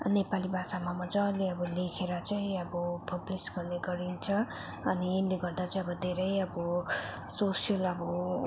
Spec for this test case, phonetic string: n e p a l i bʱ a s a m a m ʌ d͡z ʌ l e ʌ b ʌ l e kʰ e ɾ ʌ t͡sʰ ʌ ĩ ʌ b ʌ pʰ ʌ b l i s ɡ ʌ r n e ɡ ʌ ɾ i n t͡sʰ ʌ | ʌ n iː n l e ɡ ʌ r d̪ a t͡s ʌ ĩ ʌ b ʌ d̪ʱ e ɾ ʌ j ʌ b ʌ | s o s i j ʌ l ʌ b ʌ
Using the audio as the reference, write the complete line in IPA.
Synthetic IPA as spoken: n e p a l i bʱ a s a m a m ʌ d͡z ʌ l e ʌ b ʌ l e kʰ e ɾ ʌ t͡s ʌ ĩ ʌ b ʌ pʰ ʌ b l i s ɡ ʌ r n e ɡ ʌ ɾ i n t͡sʰ ʌ | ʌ n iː n l e ɡ ʌ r d̪ a t͡s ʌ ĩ ʌ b ʌ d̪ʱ e ɾ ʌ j ʌ b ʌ | s o s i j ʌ l ʌ b ʌ

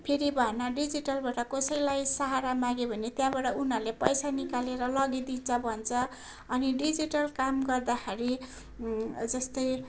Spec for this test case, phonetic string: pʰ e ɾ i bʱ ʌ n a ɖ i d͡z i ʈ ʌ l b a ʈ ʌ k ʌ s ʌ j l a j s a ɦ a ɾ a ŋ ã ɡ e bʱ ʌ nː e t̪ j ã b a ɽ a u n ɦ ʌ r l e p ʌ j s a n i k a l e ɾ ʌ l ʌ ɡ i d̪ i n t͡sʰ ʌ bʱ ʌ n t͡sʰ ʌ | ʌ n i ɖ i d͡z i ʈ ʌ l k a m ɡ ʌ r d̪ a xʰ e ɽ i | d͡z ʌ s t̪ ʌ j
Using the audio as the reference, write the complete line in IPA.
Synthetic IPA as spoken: pʰ e ɾ i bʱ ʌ n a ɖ i d͡z i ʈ ʌ l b a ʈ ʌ k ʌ s ʌ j l a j s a ɦ a ɾ a m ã ɡ e bʱ ʌ n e t̪ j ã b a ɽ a u n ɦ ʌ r l e p ʌ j s a n i k a l e ɾ ʌ l ʌ ɡ i d̪ i n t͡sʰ ʌ bʱ ʌ n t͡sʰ ʌ | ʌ n i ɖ i d͡z i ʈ ʌ l k a m ɡ ʌ r d̪ a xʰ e ɾ i | d͡z ʌ s t̪ ʌ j

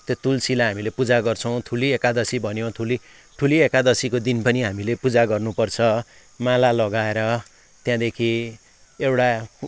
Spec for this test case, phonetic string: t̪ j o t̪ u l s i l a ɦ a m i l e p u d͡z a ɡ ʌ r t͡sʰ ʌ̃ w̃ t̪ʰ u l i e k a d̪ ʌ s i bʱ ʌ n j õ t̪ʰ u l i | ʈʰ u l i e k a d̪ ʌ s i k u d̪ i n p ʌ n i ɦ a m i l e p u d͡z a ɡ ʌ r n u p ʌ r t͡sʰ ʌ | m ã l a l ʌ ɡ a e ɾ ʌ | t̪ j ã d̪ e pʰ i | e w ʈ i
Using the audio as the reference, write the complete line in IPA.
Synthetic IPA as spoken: t̪ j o t̪ u l s i l a ɦ a m i l e p u d͡z a ɡ ʌ r t͡sʰ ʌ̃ w̃ t̪ʰ u l i e k a d̪ ʌ s i bʱ ʌ n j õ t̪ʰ u l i | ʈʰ u l i e k a d̪ ʌ s i k o d̪ i n p ʌ n i ɦ a m i l e p u d͡z a ɡ ʌ r n u p ʌ r t͡sʰ ʌ | m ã l a l ʌ ɡ a e ɾ ʌ | t̪ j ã d̪ e kʰ i | e w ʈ a

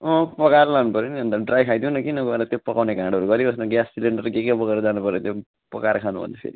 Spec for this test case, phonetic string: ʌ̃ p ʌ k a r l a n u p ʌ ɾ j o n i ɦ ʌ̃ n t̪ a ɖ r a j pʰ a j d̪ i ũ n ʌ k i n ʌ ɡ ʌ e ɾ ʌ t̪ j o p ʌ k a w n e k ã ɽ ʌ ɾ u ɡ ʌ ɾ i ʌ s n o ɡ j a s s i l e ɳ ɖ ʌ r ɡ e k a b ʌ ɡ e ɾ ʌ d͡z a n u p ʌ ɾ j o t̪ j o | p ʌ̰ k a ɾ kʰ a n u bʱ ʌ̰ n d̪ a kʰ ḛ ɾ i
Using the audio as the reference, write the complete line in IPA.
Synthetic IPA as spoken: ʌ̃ p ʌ k a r l a n u p ʌ ɾ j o n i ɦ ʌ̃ n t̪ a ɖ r a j kʰ a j d̪ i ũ n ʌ k i n ʌ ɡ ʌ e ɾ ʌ t̪ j o p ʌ k a w n e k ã ɽ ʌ ɾ u ɡ ʌ ɾ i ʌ s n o ɡ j a s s i l e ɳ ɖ ʌ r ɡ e k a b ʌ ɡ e ɾ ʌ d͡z a n u p ʌ ɾ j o t̪ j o | p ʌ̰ k a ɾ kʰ a n u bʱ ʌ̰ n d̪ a pʰ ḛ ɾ i

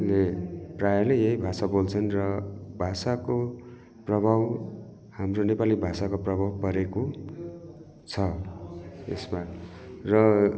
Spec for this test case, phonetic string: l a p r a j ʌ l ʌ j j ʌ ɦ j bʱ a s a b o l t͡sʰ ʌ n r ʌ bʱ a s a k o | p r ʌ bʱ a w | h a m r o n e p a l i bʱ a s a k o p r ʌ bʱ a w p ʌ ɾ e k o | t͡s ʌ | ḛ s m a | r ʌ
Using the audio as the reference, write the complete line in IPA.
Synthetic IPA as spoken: l e p r a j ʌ l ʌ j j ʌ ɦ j bʱ a s a b o l t͡sʰ ʌ n r ʌ bʱ a s a k o | p r ʌ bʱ a w | h a m r o n e p a l i bʱ a s a k o p r ʌ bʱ a w p ʌ ɾ e k o | t͡sʰ ʌ | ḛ s m a | r ʌ

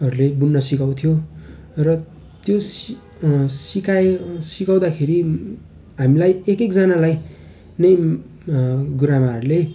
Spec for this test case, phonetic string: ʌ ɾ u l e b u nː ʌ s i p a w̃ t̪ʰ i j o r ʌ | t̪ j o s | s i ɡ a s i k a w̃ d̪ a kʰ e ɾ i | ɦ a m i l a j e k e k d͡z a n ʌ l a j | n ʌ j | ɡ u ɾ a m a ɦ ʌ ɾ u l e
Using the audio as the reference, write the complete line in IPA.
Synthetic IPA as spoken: ʌ ɾ u l e b u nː ʌ s i k a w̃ t̪ʰ i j o r ʌ | t̪ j o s | s i k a s i k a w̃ d̪ a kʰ e ɾ i | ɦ a m i l a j e k e k d͡z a n a l a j | n ʌ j | ɡ u ɾ a m a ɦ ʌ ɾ u l e

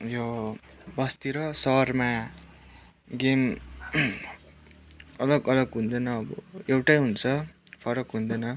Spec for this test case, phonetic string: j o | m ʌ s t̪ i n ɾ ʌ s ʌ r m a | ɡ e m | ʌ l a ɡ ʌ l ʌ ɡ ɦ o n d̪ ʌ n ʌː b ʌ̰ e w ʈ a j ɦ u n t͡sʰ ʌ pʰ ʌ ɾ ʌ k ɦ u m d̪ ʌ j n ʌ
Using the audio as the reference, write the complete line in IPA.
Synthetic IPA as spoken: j o | b ʌ s t̪ i ɾ ʌ s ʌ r m a | ɡ e m | ʌ l ʌ ɡ ʌ l ʌ ɡ ɦ u n d̪ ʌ n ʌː b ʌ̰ e w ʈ a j ɦ u n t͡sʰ ʌ pʰ ʌ ɾ ʌ k ɦ u n d̪ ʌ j n ʌ

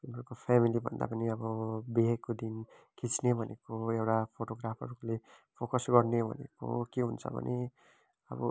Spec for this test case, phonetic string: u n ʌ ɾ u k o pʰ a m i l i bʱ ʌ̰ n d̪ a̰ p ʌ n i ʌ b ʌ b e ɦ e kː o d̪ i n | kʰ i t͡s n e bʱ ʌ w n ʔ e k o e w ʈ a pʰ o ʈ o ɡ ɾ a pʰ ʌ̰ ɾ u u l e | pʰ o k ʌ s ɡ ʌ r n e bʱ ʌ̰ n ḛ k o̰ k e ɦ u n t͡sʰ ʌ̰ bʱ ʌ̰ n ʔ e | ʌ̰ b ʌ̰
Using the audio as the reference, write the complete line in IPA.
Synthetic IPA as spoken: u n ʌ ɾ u k o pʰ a m i l i bʱ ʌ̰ n d̪ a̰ p ʌ n i ʌ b ʌ b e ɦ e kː o d̪ i n | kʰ i t͡s n e bʱ ʌ n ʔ e k o e w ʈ a pʰ o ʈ o ɡ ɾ a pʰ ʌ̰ ɾ u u l e | pʰ o k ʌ s ɡ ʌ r n e bʱ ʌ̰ n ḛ k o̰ k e ɦ u n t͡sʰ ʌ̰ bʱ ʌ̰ n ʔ e | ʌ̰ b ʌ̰

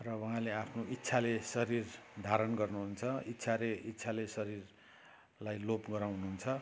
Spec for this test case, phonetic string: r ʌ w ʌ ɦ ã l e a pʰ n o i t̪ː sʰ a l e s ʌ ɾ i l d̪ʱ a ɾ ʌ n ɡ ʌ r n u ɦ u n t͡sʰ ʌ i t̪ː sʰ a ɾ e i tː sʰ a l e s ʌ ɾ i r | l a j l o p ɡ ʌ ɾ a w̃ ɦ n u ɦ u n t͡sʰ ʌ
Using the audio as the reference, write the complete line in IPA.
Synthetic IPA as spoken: r ʌ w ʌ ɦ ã l e a pʰ n o i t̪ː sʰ a l e s ʌ ɾ i r d̪ʱ a ɾ ʌ n ɡ ʌ r n u ɦ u n t͡sʰ ʌ i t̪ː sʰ a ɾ e i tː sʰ a l e s ʌ ɾ i r | l a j l o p ɡ ʌ ɾ a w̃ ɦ n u ɦ u n t͡sʰ ʌ

